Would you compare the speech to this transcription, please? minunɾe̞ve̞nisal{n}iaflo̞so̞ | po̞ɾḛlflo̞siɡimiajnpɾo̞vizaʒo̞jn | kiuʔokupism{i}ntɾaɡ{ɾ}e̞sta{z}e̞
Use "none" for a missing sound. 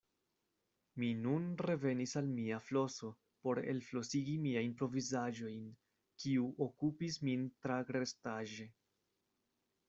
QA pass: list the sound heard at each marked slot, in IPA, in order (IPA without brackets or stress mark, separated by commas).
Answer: m, i, ɾ, ʒ